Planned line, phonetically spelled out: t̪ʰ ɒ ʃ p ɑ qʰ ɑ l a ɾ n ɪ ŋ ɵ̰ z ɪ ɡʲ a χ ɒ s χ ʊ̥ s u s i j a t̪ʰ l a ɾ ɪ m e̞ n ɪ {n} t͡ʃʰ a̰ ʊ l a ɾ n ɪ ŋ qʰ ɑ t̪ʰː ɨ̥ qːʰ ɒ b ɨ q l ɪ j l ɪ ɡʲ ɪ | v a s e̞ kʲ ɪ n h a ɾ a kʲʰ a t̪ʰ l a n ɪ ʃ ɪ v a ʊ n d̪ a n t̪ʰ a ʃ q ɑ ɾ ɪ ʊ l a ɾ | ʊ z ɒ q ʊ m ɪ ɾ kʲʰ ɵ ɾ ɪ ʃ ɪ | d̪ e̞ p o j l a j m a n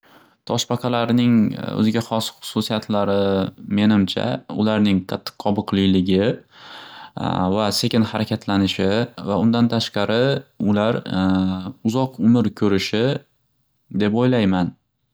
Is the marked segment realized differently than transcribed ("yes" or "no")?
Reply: yes